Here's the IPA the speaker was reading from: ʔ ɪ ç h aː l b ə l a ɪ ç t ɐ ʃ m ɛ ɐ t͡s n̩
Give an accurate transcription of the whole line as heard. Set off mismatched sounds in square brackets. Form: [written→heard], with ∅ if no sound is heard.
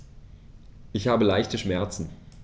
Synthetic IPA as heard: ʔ ɪ ç h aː [l→∅] b ə l a ɪ ç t [ɐ→ə] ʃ m ɛ ɐ t͡s n̩